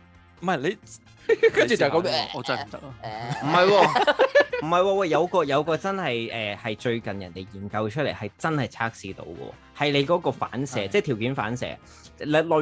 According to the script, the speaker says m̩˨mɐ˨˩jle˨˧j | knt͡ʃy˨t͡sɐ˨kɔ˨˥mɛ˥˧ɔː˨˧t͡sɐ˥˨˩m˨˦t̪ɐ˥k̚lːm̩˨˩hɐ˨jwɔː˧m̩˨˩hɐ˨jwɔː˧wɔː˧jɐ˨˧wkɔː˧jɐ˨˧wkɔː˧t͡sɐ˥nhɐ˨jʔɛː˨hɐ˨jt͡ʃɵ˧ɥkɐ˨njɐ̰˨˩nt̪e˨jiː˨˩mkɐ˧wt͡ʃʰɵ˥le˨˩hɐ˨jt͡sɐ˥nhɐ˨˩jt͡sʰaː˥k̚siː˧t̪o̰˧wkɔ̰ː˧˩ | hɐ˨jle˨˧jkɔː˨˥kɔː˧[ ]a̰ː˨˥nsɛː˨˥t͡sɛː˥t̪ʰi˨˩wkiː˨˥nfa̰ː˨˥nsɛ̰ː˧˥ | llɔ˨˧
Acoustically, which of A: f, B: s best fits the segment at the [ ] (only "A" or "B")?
A